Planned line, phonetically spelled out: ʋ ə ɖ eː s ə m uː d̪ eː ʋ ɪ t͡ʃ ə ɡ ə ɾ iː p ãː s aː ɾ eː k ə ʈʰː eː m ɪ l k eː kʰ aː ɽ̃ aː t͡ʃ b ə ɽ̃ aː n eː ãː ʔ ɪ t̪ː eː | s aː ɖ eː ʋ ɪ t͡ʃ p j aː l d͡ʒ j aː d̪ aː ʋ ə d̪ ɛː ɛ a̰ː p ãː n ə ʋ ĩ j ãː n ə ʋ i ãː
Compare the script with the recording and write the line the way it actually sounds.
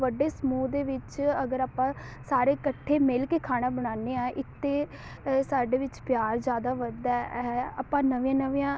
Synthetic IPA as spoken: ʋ ə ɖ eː s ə m uː d̪ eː ʋ ɪ t͡ʃ ə ɡ ə ɾ aː p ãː s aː ɾ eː k ə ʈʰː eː m ɪ l k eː kʰ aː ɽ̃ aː b ə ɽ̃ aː n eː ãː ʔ ɪ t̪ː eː | s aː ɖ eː ʋ ɪ t͡ʃ p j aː ɾ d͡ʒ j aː d̪ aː ʋ ə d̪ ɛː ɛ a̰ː p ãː n ə ʋ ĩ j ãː n ə ʋ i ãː